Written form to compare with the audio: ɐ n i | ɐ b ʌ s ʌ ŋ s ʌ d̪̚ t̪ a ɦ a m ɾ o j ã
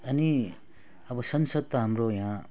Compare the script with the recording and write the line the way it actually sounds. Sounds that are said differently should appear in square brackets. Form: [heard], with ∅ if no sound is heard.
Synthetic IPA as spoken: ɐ n i | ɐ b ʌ s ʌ [n] s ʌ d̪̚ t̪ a ɦ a m ɾ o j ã